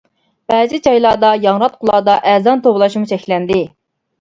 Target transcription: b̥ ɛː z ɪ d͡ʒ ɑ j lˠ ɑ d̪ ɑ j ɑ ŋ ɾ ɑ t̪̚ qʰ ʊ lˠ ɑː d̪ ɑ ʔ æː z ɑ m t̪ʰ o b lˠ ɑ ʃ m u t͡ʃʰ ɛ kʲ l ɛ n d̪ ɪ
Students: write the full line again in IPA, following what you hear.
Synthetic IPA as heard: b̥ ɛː z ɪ d͡ʒ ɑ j lˠ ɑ d̪ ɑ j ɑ ŋ ɾ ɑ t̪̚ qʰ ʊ lˠ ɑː d̪ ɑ ʔ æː z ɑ n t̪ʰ o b lˠ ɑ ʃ m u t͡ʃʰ ɛ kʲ l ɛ n d̪ ɪ

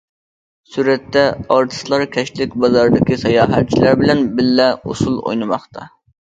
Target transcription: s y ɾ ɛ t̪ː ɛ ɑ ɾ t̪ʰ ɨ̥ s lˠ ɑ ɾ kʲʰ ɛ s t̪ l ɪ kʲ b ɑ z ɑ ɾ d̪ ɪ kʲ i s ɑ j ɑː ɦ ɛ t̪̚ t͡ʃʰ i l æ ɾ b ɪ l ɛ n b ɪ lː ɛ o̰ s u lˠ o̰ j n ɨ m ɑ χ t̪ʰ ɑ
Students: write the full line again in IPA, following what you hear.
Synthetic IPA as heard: s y ɾ ɛ t̪ː ɛ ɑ ɾ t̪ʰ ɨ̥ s lˠ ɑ ɾ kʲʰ ɛ ʃ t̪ l ɪ kʲ b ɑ z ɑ ɾ d̪ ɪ kʲ i s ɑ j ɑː ɦ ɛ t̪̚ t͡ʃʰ i l æ ɾ b ɪ l ɛ n b ɪ lː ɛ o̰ s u lˠ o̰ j n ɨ m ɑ χ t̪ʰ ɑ

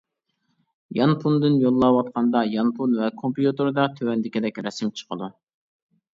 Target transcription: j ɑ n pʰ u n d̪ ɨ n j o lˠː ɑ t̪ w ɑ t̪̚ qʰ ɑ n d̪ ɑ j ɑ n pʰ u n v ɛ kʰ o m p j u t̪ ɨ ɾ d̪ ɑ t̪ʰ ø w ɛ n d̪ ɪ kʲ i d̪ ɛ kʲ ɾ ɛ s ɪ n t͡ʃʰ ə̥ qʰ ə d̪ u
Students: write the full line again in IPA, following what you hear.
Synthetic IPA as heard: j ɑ n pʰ u n d̪ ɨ n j o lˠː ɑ w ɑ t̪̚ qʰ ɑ n d̪ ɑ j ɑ n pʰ u n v ɛ kʰ o m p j u t̪ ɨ ɾ d̪ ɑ t̪ʰ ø w ɛ n d̪ ɪ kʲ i d̪ ɛ kʲ ɾ ɛ s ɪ m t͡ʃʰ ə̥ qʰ ə d̪ u

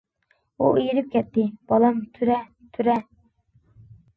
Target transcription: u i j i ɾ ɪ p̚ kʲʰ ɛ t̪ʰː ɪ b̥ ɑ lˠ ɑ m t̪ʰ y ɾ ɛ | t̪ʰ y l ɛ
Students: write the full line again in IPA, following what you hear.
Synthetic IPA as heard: u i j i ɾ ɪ p̚ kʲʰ ɛ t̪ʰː ɪ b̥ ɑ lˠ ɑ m t̪ʰ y ɾ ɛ | t̪ʰ y ɾ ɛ

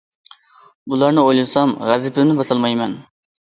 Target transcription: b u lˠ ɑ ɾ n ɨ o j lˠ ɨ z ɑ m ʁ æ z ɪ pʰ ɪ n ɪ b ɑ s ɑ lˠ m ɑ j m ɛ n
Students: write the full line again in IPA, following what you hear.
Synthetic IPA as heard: b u lˠ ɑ ɾ n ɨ o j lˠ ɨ s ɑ m ʁ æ z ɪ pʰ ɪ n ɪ b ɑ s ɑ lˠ m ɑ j m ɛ n

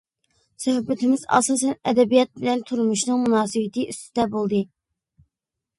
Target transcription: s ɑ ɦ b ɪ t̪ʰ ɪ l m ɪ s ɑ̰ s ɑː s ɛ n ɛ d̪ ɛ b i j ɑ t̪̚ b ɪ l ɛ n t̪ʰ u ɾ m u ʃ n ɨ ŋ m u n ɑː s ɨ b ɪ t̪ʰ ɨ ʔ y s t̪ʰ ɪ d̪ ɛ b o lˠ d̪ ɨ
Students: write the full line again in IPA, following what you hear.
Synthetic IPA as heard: s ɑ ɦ b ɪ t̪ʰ ɪ m ɪ z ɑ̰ s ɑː s ɛ n ɛ d̪ ɛ b i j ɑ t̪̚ b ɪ l ɛ n t̪ʰ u ɾ m u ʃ n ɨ ŋ m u n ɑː s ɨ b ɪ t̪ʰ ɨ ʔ y s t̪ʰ ɪ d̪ ɛ b o lˠ d̪ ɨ

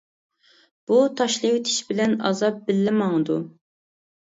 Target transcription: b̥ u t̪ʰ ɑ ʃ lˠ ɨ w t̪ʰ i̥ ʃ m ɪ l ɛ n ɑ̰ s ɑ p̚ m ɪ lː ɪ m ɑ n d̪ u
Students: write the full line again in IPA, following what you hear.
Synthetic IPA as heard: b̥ u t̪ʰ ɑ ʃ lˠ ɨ w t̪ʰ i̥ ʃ b ɪ l ɛ n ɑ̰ z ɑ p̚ b ɪ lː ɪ m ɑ ŋ d̪ u

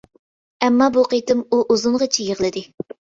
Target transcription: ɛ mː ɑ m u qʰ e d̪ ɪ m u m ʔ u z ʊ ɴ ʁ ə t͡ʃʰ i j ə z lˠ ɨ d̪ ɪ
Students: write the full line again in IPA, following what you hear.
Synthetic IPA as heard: ɛ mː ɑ b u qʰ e t̪ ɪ m u ʔ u z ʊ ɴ ʁ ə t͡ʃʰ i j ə ʁ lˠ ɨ d̪ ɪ

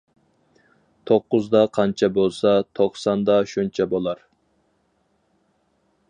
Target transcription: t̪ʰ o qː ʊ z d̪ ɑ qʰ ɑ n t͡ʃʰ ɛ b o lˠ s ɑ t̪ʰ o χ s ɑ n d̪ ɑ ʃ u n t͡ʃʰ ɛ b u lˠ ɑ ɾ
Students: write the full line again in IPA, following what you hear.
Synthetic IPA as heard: t̪ʰ o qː ʊ z d̪ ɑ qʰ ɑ n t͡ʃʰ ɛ b o lˠ s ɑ t̪ʰ o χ s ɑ n d̪ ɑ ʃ u n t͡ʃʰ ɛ b o lˠ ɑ ɾ

